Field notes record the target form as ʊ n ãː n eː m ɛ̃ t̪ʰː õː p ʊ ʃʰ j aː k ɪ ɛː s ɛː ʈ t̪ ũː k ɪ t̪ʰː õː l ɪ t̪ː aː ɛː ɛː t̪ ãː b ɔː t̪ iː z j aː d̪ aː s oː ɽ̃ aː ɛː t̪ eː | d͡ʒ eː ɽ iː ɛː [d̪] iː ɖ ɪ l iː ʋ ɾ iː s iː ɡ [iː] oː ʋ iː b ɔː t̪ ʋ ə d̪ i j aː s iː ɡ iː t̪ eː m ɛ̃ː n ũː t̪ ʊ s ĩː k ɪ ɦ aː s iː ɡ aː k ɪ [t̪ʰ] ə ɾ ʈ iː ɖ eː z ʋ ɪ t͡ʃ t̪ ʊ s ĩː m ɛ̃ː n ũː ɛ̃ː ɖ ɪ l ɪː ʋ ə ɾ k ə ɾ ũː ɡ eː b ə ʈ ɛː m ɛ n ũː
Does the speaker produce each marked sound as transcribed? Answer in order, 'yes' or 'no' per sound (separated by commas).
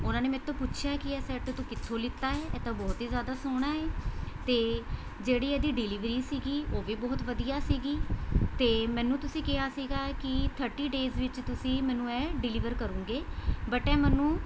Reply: yes, yes, yes